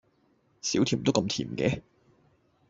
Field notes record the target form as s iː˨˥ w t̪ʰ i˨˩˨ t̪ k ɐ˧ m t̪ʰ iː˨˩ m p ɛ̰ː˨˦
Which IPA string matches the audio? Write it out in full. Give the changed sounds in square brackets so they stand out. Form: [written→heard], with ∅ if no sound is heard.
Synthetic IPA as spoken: s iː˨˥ w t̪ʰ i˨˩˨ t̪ k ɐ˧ m t̪ʰ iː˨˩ m [p→k] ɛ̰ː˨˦